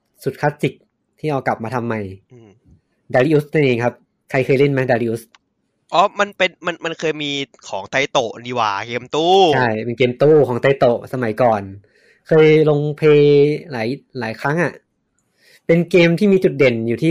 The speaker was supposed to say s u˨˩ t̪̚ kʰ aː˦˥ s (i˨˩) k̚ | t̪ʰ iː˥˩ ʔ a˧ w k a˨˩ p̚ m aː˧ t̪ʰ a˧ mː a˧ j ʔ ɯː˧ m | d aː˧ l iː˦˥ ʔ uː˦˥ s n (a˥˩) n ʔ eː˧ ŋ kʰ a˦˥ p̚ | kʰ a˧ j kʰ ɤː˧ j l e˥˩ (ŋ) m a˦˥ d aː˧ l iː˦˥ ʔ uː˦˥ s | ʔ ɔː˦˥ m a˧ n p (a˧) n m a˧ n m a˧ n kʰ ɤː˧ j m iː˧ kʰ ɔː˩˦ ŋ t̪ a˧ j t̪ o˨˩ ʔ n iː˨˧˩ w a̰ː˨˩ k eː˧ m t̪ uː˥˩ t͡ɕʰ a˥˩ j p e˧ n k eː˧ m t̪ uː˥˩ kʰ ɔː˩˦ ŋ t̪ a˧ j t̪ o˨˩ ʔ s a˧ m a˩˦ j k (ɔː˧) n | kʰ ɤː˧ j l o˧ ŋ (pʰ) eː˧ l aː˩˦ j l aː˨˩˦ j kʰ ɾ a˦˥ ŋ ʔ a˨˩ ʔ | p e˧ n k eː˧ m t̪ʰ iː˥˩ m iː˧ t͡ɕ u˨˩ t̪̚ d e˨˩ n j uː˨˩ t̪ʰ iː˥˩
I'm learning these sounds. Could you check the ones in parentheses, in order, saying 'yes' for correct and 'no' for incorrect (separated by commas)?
yes, no, no, no, no, yes